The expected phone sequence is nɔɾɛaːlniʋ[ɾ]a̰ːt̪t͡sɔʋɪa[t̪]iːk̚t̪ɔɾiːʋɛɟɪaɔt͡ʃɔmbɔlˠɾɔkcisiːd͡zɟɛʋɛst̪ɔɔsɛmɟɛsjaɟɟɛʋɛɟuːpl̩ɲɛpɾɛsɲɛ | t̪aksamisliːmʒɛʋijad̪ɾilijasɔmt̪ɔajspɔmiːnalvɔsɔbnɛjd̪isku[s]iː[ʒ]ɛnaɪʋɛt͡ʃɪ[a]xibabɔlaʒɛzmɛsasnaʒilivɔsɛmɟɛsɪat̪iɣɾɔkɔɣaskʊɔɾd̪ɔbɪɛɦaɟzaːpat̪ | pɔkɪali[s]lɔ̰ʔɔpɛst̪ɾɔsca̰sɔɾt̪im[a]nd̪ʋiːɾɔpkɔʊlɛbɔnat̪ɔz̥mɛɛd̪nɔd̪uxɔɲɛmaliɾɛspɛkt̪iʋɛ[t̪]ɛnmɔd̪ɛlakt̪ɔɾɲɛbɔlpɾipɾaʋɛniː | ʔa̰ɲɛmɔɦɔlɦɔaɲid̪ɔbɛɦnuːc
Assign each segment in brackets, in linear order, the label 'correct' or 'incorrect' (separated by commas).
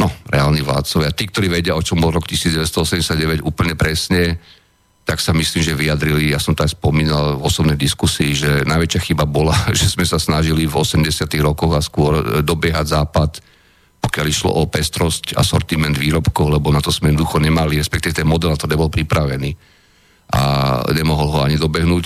incorrect, correct, correct, correct, correct, incorrect, incorrect, correct